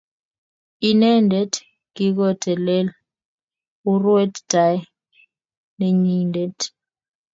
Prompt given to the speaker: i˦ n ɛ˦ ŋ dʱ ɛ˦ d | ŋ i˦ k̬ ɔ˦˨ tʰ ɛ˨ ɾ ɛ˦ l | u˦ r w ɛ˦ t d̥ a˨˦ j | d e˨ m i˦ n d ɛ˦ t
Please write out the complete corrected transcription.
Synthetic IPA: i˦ n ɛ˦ n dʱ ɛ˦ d | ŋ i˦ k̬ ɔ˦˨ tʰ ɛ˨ l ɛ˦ l | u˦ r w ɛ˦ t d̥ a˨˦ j | n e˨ ɲ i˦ n d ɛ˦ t